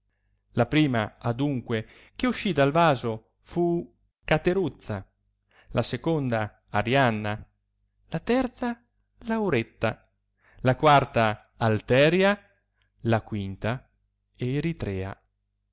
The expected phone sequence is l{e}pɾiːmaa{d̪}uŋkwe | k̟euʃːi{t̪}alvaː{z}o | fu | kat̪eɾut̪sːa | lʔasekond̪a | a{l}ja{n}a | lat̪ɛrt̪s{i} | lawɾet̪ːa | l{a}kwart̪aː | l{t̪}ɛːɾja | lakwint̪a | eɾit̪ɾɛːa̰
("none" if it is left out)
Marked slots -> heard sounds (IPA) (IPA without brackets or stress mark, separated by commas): a, d̪, d̪, z, ɾ, nː, a, a, t̪